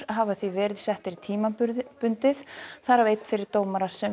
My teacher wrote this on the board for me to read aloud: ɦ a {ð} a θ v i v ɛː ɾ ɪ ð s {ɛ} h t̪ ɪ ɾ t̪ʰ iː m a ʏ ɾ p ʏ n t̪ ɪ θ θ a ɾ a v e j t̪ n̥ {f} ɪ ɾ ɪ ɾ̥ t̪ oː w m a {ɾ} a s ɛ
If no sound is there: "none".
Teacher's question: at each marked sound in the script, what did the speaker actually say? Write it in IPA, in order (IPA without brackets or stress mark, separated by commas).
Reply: v, ɛ, f, ɾ